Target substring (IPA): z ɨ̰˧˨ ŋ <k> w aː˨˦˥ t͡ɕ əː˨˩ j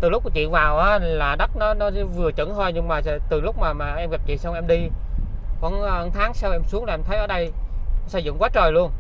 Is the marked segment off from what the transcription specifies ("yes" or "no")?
no